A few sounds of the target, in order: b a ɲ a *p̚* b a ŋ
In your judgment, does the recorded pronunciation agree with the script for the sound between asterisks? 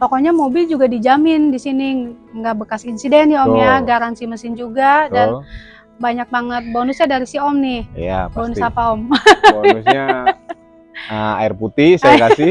no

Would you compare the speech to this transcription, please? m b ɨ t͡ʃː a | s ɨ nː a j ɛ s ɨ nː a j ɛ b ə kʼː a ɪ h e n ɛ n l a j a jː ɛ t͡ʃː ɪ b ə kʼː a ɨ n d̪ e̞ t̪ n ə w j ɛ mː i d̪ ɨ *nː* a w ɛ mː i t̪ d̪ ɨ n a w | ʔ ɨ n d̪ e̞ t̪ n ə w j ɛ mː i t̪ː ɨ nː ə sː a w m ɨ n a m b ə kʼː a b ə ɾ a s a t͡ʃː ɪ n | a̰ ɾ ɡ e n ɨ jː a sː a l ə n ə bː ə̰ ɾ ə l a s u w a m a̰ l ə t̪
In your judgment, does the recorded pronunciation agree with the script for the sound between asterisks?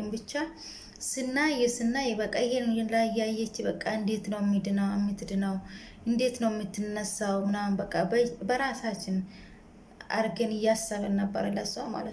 no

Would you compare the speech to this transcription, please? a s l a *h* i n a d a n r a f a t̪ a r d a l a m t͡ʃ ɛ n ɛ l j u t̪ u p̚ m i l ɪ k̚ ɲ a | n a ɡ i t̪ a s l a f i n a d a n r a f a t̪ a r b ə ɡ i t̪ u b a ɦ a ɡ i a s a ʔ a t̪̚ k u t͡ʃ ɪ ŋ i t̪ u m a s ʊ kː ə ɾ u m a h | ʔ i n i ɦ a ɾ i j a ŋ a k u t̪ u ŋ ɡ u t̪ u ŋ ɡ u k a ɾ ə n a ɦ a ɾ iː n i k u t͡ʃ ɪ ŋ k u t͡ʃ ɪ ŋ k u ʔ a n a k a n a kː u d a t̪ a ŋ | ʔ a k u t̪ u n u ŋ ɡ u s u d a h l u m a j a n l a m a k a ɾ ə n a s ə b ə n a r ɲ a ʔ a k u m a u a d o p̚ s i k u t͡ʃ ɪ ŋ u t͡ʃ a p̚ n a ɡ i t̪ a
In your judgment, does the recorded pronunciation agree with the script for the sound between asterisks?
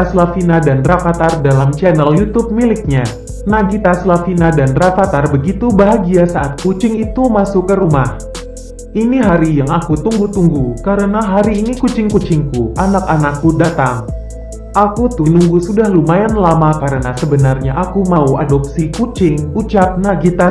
no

